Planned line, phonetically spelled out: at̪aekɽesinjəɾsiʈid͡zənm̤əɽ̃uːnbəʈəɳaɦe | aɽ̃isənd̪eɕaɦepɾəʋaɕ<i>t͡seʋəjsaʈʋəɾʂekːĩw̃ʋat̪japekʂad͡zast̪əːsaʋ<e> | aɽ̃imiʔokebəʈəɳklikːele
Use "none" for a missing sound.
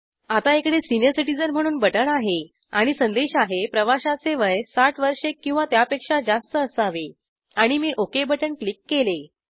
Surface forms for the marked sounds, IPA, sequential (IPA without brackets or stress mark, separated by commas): a, e